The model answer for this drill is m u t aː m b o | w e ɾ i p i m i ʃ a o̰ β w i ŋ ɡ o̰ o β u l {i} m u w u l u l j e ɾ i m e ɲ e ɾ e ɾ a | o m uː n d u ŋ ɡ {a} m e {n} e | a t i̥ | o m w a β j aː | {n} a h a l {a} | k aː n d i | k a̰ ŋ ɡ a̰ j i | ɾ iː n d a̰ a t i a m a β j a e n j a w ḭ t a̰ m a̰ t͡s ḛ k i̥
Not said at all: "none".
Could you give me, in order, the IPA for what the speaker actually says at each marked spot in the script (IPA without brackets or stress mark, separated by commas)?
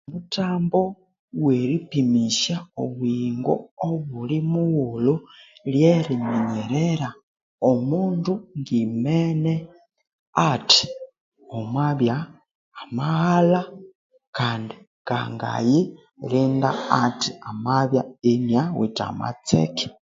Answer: i, i, n, m, a